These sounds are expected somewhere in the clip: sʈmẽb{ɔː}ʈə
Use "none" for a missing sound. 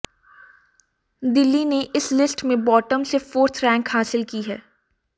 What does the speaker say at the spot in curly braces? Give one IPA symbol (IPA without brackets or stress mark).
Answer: ɔː